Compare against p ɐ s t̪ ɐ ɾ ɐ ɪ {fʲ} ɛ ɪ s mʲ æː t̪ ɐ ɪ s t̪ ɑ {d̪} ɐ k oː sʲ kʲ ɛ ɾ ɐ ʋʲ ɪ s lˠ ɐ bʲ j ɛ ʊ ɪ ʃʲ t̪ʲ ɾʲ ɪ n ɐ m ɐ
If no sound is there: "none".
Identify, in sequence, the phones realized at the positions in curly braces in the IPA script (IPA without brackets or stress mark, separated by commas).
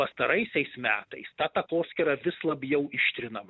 sʲ, t̪